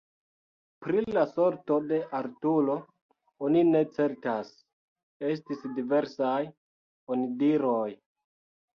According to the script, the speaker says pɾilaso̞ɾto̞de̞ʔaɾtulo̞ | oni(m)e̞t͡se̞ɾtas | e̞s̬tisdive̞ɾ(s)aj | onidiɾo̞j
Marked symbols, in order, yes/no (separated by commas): no, yes